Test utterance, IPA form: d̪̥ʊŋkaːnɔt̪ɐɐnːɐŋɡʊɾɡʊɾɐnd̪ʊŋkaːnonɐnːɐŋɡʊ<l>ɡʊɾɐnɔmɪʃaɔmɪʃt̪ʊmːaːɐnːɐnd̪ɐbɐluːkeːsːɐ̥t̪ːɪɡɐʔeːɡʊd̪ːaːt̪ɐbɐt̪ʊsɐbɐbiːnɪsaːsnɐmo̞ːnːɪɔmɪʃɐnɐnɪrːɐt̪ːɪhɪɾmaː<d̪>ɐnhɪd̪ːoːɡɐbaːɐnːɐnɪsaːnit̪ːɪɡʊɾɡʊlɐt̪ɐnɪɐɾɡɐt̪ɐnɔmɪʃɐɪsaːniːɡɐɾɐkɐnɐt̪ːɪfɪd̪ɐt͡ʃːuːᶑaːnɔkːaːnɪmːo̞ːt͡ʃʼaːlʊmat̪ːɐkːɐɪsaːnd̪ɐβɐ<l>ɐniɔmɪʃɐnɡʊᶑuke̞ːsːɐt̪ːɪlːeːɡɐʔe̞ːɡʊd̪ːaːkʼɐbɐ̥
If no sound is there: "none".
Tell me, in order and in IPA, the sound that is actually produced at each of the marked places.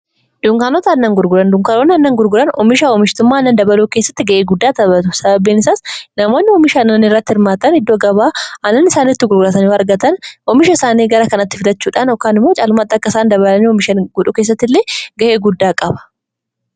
ɾ, t̪, l

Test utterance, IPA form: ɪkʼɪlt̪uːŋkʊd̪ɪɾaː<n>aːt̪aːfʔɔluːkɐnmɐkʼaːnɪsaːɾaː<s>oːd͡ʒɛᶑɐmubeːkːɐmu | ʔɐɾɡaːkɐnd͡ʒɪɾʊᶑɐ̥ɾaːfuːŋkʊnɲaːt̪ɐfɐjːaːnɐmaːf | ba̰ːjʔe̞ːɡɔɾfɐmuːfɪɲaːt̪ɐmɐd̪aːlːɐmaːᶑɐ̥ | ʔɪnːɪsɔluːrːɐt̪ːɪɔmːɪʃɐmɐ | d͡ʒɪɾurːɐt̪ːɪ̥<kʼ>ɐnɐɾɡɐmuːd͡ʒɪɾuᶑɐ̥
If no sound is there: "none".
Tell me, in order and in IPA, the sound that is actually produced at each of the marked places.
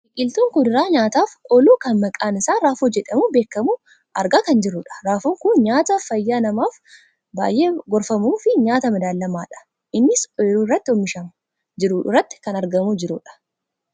ɲ, f, k

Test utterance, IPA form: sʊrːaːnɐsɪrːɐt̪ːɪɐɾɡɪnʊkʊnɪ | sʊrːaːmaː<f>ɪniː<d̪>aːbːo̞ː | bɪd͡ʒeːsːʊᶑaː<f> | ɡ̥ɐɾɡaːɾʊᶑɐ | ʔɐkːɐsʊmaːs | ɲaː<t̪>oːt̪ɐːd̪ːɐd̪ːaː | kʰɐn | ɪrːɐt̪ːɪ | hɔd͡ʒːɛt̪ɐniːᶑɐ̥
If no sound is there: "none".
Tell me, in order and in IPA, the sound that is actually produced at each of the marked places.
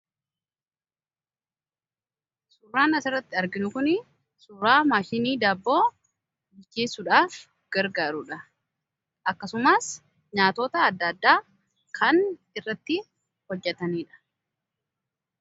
ʃ, d̪, f, t̪

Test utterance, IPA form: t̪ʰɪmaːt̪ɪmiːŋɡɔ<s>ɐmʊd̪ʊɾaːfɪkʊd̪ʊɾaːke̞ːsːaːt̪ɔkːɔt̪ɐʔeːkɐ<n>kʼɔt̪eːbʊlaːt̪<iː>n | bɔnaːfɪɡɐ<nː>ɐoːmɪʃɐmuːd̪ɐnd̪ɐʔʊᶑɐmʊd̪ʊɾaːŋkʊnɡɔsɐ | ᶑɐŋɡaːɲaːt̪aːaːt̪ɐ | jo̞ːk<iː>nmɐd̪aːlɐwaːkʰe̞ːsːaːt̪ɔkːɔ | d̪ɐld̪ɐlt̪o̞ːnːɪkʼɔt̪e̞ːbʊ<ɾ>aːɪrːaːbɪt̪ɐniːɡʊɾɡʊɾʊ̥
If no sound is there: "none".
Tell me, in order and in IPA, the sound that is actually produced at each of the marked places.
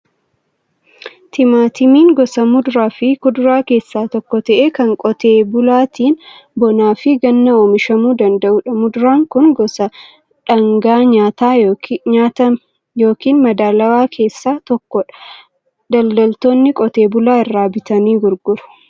s, ŋ, iː, nː, iː, l

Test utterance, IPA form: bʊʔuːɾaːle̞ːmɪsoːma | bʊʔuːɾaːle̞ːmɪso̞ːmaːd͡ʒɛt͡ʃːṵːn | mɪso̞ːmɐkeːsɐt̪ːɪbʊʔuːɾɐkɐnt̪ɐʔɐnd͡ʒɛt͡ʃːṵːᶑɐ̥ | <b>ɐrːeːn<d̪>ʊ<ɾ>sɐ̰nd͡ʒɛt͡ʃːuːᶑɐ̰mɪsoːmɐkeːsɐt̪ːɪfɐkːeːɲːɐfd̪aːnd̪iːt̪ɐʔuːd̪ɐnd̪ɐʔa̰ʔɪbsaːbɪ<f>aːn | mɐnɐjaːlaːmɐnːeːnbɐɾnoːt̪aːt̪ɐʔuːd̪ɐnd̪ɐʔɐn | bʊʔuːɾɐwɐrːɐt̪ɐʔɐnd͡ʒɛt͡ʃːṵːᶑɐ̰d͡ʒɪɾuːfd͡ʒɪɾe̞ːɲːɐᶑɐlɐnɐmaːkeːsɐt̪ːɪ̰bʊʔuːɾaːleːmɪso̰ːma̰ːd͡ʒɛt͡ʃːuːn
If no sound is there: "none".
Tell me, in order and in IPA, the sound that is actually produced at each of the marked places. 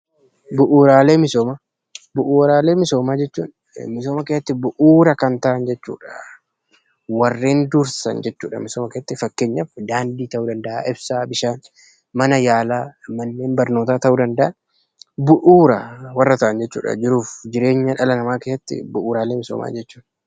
w, d̪, ɾ, ʃ

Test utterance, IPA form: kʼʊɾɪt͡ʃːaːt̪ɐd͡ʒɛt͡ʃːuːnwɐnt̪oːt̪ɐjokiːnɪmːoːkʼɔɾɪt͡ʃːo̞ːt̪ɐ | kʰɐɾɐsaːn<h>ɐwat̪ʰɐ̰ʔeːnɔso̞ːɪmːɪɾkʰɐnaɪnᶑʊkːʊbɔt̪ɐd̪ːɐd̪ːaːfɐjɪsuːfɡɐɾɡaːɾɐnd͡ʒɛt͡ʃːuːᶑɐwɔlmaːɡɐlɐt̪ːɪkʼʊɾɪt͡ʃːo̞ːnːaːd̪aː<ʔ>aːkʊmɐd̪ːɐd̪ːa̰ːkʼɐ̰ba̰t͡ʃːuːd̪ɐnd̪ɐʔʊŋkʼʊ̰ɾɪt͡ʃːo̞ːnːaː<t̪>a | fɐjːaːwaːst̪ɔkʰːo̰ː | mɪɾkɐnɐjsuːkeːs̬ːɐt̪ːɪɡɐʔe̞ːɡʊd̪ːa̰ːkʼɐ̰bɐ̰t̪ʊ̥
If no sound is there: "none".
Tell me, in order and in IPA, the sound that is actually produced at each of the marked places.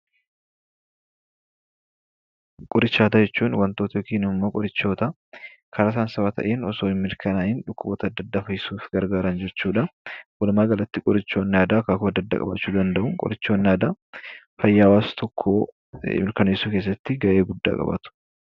s, k, d̪

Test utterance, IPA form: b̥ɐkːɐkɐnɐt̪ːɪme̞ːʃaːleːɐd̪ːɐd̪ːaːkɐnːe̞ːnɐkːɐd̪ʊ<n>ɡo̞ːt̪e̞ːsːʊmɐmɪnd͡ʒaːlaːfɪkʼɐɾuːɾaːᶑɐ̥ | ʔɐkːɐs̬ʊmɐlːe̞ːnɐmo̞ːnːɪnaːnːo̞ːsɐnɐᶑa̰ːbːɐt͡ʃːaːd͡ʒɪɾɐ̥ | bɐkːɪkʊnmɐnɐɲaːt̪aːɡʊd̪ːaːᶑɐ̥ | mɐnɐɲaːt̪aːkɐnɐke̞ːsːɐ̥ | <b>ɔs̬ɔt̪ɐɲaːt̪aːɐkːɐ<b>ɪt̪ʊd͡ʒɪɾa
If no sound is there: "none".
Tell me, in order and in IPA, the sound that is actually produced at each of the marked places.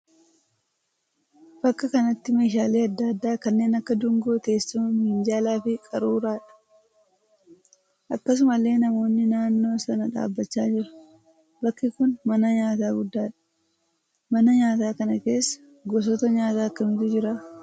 ŋ, ɡ, m

